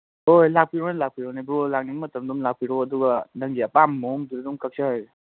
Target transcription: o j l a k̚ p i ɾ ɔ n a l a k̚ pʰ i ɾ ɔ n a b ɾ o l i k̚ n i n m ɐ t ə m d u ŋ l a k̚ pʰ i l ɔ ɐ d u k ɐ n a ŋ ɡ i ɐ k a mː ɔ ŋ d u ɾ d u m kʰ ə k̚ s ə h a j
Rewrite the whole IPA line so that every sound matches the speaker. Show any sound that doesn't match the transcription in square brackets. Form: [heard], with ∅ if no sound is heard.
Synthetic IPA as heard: o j l a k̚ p i ɾ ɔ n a l a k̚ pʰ i ɾ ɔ n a b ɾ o l [a] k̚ n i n m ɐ t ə m d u [m] l a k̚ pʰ i [ɾ] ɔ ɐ d u [ɡ] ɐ n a ŋ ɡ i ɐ [p] a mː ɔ ŋ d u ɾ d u m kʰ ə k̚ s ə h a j